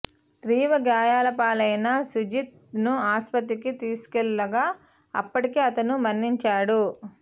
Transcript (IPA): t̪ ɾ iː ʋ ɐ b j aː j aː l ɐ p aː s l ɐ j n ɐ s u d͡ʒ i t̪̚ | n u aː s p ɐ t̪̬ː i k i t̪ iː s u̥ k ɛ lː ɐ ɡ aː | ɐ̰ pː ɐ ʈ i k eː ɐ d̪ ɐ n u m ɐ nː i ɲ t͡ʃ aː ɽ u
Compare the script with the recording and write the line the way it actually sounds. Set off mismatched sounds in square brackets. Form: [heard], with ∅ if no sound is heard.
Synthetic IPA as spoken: t̪ ɾ iː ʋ ɐ [ɡ] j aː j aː l ɐ p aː [∅] l ɐ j n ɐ s u d͡ʒ i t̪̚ | n u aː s p ɐ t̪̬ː i k i t̪ iː s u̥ k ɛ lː ɐ ɡ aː | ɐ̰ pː ɐ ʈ i k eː ɐ [t̪] ɐ n u m ɐ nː i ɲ t͡ʃ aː ɽ u